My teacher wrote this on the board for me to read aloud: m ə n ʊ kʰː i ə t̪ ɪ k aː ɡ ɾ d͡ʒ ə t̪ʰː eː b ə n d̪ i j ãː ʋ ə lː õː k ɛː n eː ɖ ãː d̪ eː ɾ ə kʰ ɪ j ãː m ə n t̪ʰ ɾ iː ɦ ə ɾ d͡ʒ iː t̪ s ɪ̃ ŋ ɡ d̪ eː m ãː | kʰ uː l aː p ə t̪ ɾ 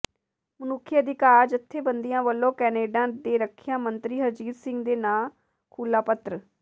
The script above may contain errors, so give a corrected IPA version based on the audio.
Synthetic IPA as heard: m ə n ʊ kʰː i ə d̪ ɪ k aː ɾ d͡ʒ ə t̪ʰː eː b ə n d̪ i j ãː ʋ ə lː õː k ɛː n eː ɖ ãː d̪ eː ɾ ə kʰ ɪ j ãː m ə n t̪ ɾ iː ɦ ə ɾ d͡ʒ iː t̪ s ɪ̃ ŋ ɡ d̪ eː n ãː | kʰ uː l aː p ə t̪ ɾ